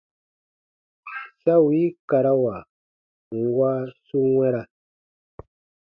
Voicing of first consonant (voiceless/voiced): voiceless